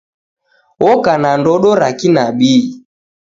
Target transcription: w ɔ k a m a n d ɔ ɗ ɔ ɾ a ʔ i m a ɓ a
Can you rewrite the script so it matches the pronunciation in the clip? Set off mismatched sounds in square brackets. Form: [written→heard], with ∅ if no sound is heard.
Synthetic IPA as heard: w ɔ k a [m→n] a n d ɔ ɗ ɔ ɾ a [ʔ→k] i [m→n] a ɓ [a→i]